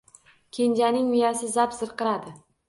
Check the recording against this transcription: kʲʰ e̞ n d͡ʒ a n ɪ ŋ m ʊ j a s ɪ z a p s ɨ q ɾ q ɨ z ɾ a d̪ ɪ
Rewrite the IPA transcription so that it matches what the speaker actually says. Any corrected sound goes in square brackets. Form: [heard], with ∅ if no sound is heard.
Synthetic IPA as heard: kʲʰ e̞ n d͡ʒ a n ɪ ŋ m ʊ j a s ɪ z a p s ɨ [∅] ɾ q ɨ [∅] ɾ a d̪ ɪ